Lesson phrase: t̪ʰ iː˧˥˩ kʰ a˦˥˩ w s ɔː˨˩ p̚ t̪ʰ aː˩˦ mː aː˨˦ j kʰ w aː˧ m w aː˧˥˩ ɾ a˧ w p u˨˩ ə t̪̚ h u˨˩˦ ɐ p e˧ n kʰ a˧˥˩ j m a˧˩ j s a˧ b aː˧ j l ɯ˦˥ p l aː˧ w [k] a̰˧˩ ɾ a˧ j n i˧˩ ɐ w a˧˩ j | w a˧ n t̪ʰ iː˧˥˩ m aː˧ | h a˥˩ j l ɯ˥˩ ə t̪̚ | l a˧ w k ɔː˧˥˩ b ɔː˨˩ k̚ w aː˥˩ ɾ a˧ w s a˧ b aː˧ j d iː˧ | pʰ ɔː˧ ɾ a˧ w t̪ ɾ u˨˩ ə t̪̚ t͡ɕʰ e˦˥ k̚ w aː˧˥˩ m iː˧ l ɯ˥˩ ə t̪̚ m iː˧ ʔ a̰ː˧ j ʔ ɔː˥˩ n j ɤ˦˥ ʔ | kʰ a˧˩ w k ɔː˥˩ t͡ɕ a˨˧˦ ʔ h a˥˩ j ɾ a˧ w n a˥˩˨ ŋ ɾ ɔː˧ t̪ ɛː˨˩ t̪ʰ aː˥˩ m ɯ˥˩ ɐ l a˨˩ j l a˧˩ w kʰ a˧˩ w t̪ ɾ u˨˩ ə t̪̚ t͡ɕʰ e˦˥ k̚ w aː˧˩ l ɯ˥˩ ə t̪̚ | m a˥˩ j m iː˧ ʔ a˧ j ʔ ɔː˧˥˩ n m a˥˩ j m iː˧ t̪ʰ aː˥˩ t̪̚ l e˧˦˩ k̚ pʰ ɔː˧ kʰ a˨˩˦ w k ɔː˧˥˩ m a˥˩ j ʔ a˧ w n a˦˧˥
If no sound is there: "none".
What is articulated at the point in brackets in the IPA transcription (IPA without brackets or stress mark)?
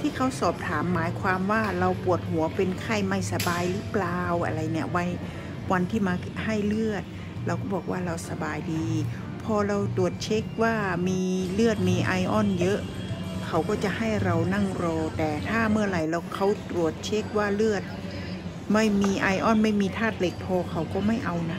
ʔ